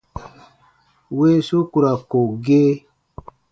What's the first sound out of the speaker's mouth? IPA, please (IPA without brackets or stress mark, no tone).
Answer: w